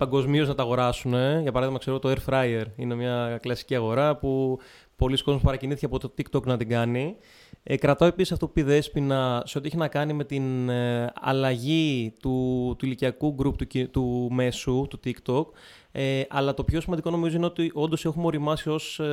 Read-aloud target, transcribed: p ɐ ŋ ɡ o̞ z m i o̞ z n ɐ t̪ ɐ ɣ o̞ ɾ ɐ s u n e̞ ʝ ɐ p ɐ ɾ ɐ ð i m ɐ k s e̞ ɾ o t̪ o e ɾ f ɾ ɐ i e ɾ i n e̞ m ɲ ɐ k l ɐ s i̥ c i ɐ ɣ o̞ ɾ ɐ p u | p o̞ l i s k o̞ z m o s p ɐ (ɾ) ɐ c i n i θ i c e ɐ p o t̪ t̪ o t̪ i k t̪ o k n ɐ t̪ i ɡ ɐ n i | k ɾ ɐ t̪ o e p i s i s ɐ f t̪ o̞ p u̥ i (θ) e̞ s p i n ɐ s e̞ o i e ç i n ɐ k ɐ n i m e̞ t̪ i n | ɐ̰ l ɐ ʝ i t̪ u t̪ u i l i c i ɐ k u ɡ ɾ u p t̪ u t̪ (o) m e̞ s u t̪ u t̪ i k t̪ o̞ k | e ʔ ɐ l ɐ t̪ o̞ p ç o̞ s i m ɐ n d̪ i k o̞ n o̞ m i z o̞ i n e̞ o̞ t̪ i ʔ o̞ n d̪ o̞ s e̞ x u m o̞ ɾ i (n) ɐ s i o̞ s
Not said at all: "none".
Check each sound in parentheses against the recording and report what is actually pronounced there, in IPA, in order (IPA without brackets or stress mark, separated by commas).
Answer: ɾ, ð, u, m